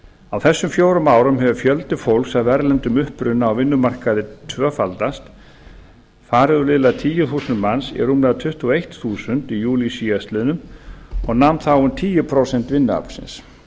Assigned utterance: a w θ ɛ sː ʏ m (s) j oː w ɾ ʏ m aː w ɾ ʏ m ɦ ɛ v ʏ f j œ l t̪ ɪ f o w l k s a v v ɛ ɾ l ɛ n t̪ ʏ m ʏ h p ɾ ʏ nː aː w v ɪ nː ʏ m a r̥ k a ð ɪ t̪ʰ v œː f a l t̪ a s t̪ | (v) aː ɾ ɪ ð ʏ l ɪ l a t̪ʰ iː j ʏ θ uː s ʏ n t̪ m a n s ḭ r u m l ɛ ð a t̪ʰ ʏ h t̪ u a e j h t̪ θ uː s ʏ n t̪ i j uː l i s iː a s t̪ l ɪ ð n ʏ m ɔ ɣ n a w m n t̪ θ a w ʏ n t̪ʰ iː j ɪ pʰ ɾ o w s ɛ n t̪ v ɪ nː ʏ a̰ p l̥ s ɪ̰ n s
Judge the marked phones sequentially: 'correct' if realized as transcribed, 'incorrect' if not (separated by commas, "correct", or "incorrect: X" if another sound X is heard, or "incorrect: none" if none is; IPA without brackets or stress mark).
incorrect: f, incorrect: f